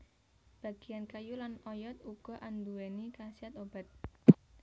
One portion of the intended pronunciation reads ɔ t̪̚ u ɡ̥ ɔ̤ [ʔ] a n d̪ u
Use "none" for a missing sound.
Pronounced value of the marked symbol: ʔ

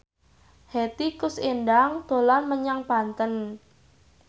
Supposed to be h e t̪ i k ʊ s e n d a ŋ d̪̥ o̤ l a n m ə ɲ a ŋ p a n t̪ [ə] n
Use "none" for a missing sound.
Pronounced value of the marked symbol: ə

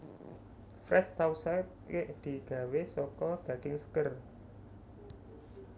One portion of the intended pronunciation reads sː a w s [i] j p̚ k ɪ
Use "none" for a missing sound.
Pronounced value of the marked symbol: a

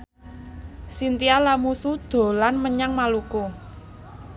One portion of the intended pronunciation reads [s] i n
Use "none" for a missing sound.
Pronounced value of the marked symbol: s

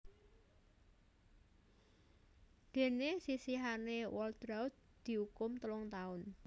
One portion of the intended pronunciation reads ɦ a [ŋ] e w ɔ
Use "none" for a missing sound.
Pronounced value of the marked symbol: n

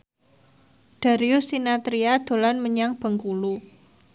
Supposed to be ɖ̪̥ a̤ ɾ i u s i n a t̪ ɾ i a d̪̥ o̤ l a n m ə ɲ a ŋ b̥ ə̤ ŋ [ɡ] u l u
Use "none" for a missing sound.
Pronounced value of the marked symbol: k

